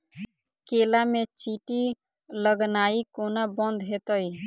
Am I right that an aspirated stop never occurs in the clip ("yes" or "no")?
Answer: yes